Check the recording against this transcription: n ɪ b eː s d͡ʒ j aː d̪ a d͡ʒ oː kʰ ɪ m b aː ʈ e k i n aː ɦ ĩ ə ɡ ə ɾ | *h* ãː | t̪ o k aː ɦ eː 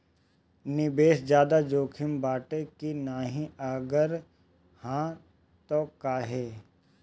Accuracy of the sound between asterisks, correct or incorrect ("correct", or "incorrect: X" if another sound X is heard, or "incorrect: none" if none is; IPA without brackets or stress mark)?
correct